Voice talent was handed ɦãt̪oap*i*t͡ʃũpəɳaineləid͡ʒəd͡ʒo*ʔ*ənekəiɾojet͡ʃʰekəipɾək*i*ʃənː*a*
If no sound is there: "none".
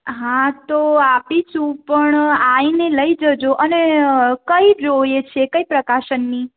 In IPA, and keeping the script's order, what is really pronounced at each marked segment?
i, ʔ, a, i

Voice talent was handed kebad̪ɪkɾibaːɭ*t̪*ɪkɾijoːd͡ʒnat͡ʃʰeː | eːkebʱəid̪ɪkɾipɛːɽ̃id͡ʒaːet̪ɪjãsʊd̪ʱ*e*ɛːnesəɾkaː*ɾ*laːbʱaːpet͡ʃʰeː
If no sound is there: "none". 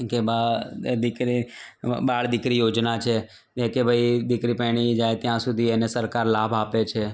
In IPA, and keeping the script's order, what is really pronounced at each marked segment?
d̪, i, ɾ

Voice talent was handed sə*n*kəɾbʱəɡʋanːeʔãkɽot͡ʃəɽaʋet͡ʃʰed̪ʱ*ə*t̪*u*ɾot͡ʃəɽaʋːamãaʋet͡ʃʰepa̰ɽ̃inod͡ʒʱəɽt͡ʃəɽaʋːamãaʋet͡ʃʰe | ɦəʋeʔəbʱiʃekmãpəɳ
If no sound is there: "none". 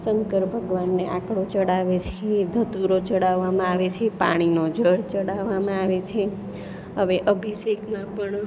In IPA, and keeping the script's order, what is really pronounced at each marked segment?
ŋ, ə, u

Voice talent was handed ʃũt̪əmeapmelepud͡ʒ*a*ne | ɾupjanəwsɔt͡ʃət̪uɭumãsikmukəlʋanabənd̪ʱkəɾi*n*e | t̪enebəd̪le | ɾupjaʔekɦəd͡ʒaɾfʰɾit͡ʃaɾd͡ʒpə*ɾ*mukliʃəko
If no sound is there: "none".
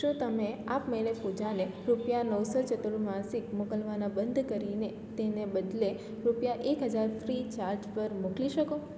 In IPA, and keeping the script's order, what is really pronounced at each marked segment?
a, n, ɾ

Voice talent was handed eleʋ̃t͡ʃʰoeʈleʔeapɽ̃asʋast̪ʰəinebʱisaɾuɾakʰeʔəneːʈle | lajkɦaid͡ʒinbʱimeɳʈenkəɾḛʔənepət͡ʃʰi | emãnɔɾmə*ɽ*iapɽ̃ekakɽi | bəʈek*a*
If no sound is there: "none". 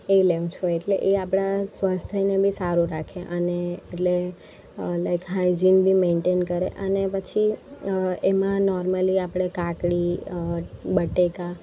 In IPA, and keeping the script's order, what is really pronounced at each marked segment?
l, a

